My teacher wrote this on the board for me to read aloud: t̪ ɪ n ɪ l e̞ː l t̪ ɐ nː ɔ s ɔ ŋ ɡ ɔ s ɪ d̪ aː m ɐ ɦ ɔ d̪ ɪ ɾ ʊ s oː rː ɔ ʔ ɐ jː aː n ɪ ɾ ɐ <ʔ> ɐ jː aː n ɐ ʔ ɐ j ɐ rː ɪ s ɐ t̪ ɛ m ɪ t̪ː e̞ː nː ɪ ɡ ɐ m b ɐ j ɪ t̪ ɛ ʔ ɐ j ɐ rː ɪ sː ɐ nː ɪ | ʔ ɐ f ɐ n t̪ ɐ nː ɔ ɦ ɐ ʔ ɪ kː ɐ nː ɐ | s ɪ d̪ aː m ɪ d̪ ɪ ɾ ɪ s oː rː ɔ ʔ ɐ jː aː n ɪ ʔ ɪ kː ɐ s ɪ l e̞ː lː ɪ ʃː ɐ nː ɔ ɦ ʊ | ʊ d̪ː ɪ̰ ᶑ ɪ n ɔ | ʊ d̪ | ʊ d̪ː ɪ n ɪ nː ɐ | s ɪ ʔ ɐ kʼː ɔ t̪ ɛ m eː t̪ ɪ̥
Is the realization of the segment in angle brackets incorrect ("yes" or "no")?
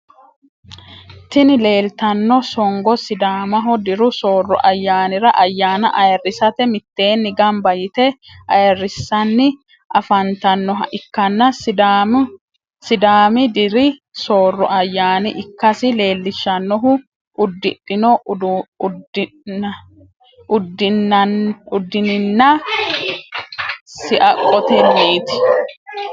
no